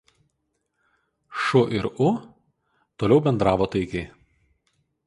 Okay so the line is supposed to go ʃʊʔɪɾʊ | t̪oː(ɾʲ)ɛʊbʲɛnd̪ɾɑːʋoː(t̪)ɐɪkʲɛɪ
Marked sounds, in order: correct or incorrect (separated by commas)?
incorrect, correct